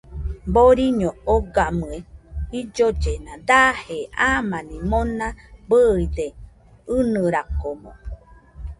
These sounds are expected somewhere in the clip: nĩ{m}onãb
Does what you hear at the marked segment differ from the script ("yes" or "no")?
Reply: no